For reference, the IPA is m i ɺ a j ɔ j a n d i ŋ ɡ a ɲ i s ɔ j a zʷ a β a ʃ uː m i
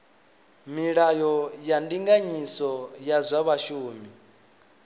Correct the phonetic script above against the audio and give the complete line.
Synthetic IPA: m i ɺ a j ɔ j a n d i ŋ ɡ a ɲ i s ɔ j a zʷ a β a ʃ uː m i